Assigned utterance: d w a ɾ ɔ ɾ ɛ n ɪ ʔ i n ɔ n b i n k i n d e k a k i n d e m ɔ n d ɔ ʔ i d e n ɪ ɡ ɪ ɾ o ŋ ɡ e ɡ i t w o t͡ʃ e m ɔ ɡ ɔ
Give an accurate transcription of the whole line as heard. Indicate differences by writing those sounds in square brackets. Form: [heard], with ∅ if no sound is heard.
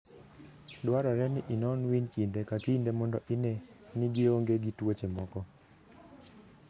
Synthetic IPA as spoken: d w a ɾ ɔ ɾ ɛ n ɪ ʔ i n ɔ n [w] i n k i n d e k a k i n d e m ɔ n d ɔ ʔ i [n] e n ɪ ɡ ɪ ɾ o ŋ ɡ e ɡ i t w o t͡ʃ e m ɔ [k] ɔ